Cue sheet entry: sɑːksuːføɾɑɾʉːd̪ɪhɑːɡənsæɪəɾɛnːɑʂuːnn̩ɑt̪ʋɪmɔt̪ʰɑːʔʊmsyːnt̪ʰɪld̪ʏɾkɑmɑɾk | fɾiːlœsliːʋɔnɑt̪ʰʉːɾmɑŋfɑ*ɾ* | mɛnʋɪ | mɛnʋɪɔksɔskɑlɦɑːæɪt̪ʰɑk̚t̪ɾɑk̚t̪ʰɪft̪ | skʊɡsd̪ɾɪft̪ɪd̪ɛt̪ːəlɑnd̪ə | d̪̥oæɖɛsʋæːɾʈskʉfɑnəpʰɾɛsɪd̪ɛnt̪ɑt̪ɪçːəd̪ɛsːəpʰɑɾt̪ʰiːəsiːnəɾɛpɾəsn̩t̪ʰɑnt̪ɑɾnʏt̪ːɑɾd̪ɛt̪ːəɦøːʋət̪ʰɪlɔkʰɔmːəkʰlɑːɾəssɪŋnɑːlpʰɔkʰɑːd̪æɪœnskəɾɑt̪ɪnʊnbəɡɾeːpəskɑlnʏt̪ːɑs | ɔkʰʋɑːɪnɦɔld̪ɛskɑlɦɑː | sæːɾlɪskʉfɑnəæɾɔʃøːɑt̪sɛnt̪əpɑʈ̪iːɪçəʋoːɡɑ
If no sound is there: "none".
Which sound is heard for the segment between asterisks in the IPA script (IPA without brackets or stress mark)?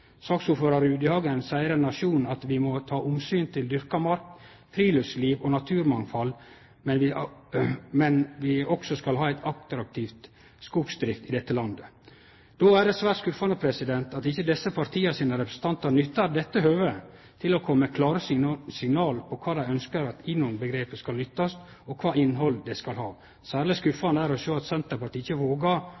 l